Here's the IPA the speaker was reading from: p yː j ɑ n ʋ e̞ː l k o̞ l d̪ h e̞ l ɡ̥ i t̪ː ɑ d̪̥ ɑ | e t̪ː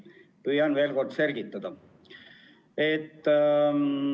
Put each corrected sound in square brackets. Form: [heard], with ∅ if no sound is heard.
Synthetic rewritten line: p [y] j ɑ n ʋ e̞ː l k o̞ [r] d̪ [s] e̞ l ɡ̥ i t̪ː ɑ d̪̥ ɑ | e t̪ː

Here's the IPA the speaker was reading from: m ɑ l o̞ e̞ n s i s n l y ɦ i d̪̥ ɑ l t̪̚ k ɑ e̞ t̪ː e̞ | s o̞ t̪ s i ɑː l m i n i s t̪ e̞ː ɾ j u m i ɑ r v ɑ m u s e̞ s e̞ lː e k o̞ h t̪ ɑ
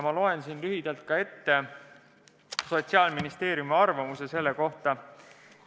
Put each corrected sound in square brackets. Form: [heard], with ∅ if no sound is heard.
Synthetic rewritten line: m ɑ l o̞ e̞ n s i [∅] n l y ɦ i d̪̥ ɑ l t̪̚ k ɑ e̞ t̪ː e̞ | s o̞ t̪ s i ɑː l m i n i s t̪ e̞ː ɾ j u m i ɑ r v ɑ m u s e̞ s e̞ lː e k o̞ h t̪ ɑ

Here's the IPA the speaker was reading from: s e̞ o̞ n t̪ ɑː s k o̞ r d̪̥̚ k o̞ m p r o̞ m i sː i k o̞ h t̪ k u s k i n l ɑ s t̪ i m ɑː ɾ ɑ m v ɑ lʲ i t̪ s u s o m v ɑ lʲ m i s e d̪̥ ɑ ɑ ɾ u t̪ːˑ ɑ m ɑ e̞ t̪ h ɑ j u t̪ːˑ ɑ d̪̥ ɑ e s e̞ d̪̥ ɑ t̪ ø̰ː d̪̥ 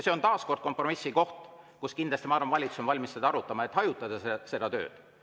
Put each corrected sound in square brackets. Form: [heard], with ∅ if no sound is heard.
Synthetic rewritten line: s e̞ o̞ n t̪ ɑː s k o̞ r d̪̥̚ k o̞ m p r o̞ m i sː i k o̞ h t̪ k u s k i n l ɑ s t̪ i m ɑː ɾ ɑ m v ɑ lʲ i t̪ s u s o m v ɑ lʲ m i s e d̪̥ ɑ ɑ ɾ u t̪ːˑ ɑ m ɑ e̞ t̪ h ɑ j u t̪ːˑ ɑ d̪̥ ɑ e s e̞ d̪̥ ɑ t̪ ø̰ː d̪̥

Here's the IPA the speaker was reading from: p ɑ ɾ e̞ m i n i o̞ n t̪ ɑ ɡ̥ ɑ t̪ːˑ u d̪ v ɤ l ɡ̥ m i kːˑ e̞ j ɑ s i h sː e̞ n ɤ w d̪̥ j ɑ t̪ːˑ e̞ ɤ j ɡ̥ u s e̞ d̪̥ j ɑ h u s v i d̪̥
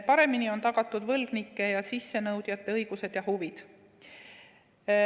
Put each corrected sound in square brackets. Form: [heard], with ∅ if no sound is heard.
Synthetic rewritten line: p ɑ ɾ e̞ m i n i o̞ n t̪ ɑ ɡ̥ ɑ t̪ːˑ u d̪ v ɤ l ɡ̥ [n] i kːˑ e̞ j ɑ s i [∅] sː e̞ n ɤ w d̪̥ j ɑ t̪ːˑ e̞ ɤ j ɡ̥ u s e̞ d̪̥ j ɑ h u [∅] v i d̪̥

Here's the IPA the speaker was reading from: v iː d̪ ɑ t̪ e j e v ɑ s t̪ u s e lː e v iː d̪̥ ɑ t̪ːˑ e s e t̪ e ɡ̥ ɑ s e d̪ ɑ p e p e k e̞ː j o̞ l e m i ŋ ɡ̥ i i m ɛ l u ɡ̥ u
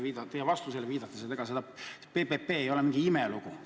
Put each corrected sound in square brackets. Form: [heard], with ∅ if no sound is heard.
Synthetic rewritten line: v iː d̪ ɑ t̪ e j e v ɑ s t̪ u s e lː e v iː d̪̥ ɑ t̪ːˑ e s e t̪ e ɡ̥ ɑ s e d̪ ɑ p e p e [p] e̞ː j o̞ l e m i ŋ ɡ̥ i i m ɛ l u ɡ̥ u

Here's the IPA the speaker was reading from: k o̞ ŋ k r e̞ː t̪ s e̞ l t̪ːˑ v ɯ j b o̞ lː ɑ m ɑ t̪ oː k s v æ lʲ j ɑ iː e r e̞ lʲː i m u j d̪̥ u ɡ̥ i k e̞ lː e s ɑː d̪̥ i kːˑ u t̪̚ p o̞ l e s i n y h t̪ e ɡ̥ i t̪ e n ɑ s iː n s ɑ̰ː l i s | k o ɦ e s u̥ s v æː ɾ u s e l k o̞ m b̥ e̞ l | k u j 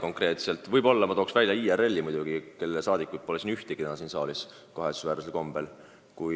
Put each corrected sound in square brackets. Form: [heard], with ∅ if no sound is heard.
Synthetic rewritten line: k o̞ ŋ k r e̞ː t̪ s e̞ l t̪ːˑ v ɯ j b o̞ lː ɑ m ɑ t̪ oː k s v æ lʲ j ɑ iː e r e̞ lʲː i m u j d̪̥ u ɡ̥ i k e̞ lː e s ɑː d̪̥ i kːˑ u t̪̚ p o̞ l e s i n y h t̪ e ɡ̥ i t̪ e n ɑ s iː n s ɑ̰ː l i s | k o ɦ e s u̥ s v æː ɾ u s e l k o̞ m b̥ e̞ l | k u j

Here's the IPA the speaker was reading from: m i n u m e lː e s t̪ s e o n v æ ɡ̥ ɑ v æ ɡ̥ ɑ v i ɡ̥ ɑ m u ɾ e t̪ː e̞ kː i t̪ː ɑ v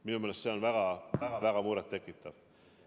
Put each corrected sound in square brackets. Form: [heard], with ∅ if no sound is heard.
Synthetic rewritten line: m i n u m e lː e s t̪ s e o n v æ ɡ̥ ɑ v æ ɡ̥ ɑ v [æ] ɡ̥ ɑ m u ɾ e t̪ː e̞ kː i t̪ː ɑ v

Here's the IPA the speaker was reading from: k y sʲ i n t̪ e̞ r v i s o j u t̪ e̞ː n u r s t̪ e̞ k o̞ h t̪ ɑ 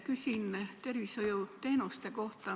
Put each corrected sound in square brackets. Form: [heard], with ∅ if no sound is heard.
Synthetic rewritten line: k y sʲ i n t̪ e̞ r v i s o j u t̪ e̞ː n u [∅] s t̪ e̞ k o̞ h t̪ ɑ

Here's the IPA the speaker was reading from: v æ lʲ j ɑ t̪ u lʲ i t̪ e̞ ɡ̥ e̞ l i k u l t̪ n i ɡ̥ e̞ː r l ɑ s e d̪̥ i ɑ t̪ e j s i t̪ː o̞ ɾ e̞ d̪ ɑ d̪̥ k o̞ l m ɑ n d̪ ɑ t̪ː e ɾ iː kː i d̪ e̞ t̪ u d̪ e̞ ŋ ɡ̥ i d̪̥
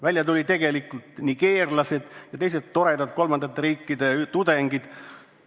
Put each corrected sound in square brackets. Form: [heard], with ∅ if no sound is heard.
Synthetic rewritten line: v æ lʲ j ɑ t̪ u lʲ i t̪ e̞ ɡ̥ e̞ l i k u l t̪ n i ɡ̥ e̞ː r l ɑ s e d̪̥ [j] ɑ t̪ e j s [e] t̪ː o̞ ɾ e̞ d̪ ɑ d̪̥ k o̞ l m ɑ n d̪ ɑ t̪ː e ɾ iː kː i d̪ e̞ t̪ u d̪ e̞ ŋ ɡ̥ i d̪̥

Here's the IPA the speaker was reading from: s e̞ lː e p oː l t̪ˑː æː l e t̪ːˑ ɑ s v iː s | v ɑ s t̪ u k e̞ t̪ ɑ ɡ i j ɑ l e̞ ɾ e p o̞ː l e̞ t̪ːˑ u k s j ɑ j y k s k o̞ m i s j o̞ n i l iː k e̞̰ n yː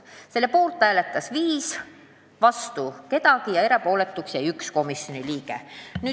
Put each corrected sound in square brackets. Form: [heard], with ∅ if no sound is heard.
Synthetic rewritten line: s e̞ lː e p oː l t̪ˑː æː l e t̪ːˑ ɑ s v iː s | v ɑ s t̪ u k e̞ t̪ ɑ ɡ i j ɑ [∅] e̞ ɾ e p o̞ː l e̞ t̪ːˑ u k s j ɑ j y k s k o̞ m i s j o̞ n i l iː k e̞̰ n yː

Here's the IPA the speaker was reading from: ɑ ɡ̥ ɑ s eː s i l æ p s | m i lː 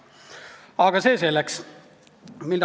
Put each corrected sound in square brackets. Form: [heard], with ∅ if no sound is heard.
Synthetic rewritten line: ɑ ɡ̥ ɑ s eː s [e] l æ [k] s | m i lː

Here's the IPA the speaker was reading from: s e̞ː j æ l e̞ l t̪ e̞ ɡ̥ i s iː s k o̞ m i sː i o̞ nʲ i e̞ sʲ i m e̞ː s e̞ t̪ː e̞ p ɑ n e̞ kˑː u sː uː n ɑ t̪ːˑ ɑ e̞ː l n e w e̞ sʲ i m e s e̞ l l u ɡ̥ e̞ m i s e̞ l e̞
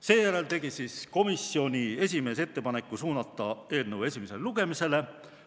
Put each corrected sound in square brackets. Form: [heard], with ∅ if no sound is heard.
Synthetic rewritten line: s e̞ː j æ [ɾ] e̞ l t̪ e̞ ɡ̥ i s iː s k o̞ m i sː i o̞ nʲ i e̞ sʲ i m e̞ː s e̞ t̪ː e̞ p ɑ n e̞ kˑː u [s] uː n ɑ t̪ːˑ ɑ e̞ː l n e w e̞ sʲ i m e s e̞ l l u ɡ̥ e̞ m i s e̞ l e̞

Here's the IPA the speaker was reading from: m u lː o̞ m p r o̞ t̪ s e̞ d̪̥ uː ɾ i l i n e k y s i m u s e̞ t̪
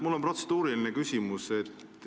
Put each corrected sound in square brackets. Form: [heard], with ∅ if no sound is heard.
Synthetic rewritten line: m u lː o̞ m p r o̞ t̪ s e̞ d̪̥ uː ɾ i l i n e k y s i m u s e̞ t̪

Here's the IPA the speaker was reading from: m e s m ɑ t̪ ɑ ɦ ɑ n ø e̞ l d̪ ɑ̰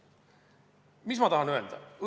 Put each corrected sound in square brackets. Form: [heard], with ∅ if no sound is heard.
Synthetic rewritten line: m [i] s m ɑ t̪ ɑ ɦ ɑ n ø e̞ l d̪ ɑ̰

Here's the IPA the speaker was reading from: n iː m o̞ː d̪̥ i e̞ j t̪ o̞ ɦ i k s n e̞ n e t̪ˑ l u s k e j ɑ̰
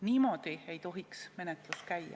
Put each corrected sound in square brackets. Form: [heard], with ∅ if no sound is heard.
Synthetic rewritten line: n iː m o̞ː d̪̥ i e̞ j t̪ o̞ ɦ i k s [m] e̞ n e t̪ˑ l u s k [æ] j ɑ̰

